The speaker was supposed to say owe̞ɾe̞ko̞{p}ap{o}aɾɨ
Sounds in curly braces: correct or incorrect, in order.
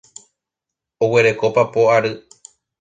correct, correct

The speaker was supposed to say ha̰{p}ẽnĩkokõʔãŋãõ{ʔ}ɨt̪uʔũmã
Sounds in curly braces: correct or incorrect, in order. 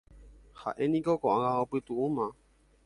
incorrect: ʔ, incorrect: p

